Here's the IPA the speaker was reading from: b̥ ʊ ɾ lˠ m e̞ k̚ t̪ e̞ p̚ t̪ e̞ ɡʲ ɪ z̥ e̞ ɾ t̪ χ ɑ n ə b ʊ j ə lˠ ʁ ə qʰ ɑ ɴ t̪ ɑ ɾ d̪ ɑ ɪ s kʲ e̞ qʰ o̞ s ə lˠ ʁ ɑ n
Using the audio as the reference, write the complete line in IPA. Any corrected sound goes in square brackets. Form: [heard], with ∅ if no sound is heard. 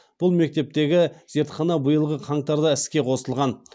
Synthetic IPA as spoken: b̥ ʊ [∅] lˠ m e̞ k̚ t̪ e̞ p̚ t̪ e̞ ɡʲ ɪ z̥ e̞ ɾ t̪ χ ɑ n [ɑ] b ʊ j ə lˠ ʁ ə qʰ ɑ ɴ t̪ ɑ ɾ d̪ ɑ ɪ s kʲ e̞ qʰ o̞ s ə lˠ ʁ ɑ n